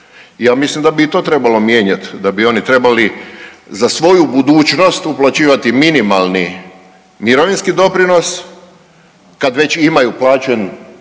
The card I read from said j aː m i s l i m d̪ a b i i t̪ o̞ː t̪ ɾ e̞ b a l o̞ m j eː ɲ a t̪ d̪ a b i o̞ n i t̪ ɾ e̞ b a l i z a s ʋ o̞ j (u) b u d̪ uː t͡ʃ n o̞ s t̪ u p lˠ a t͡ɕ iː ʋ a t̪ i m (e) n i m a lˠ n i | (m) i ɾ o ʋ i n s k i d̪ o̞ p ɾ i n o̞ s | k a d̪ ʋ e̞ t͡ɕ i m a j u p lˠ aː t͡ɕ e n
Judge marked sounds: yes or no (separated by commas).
yes, no, yes